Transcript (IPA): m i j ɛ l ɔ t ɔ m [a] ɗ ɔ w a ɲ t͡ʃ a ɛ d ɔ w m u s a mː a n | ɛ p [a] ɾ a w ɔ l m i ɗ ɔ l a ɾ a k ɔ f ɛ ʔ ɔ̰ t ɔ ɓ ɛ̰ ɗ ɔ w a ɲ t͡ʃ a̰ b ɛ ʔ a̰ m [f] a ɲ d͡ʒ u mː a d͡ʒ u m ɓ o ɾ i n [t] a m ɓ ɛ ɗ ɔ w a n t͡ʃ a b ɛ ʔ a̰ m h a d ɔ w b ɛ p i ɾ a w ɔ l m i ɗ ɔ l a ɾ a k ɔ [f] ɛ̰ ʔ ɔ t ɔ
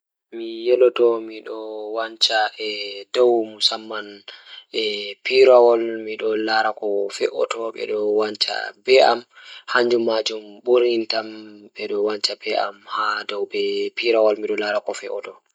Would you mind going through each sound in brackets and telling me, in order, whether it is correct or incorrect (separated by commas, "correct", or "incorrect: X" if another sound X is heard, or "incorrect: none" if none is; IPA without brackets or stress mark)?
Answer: incorrect: i, incorrect: i, incorrect: h, correct, correct